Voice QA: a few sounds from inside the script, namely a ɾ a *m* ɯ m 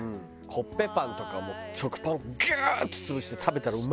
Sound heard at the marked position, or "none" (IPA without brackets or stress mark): none